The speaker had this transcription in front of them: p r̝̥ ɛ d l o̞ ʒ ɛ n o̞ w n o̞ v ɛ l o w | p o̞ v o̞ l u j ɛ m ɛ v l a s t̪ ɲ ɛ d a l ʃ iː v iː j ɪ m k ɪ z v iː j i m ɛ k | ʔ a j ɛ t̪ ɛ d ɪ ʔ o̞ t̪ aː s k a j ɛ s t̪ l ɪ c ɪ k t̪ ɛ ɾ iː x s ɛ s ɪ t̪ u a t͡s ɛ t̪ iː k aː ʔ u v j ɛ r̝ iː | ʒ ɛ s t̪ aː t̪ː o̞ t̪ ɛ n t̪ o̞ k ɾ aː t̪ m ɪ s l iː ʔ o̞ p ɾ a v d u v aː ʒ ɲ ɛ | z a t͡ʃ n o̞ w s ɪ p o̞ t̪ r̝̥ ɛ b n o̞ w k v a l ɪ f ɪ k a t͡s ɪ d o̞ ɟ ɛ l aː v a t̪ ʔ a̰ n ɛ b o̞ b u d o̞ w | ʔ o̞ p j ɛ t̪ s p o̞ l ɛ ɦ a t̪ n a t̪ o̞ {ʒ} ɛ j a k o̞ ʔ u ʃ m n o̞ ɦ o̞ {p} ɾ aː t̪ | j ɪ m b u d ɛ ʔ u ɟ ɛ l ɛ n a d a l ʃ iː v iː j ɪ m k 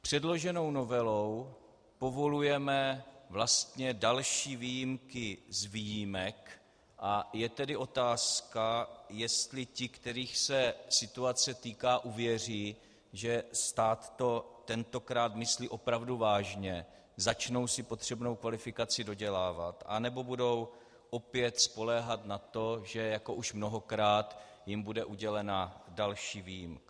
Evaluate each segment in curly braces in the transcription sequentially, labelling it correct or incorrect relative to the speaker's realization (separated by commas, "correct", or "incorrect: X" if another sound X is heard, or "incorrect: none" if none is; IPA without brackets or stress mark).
correct, incorrect: k